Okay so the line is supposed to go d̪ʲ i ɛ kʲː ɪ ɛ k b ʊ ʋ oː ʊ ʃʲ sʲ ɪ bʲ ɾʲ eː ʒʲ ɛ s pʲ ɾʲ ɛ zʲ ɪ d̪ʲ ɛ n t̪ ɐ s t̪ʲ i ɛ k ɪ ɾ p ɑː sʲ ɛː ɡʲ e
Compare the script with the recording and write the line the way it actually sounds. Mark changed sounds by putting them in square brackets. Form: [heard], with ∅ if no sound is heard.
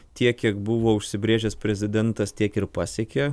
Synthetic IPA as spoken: [t̪ʲ] i ɛ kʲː [i] ɛ k b ʊ ʋ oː ʊ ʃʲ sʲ ɪ bʲ ɾʲ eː ʒʲ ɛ s pʲ ɾʲ ɛ zʲ ɪ d̪ʲ ɛ n t̪ ɐ s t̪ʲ i ɛ k ɪ ɾ p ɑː sʲ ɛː [kʲ] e